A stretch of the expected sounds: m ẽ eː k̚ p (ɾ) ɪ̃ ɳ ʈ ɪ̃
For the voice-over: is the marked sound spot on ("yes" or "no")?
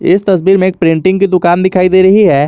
yes